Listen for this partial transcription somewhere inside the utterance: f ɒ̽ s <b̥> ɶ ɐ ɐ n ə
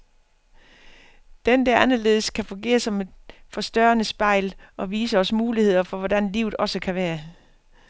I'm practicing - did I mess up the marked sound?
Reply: yes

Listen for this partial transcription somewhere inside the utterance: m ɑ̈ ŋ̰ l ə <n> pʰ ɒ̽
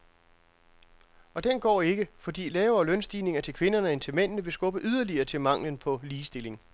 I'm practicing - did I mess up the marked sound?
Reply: no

